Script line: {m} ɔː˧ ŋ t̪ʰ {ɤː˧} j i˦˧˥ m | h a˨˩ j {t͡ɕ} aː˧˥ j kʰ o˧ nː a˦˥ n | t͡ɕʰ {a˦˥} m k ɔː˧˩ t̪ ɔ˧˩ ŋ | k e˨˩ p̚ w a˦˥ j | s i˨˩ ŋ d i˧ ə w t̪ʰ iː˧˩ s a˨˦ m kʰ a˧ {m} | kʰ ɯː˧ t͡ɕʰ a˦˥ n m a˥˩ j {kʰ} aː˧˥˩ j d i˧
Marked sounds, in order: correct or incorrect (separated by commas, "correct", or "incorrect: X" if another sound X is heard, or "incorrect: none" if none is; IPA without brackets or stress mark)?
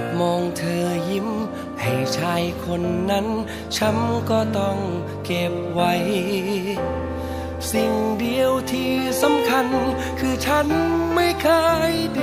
correct, correct, incorrect: t͡ɕʰ, correct, incorrect: n, correct